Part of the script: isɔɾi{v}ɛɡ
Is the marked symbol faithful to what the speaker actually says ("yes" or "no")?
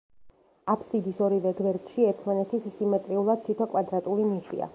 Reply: yes